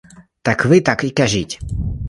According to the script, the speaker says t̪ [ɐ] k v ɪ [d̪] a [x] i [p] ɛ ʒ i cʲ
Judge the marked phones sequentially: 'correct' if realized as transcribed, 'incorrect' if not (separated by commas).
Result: incorrect, incorrect, incorrect, incorrect